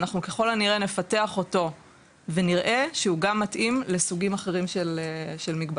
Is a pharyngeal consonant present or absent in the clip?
absent